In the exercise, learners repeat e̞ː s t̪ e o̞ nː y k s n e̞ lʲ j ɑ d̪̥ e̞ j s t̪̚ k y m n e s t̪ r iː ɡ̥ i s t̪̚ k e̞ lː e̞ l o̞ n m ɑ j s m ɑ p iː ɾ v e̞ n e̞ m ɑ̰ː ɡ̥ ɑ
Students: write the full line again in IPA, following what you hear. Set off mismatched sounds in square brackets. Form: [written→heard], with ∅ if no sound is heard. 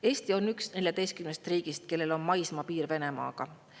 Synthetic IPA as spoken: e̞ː s t̪ [e→i] o̞ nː y k s n e̞ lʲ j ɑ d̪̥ e̞ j s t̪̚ k y m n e s t̪ r iː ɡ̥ i s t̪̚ k e̞ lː e̞ l o̞ n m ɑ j s m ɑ p iː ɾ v e̞ n e̞ m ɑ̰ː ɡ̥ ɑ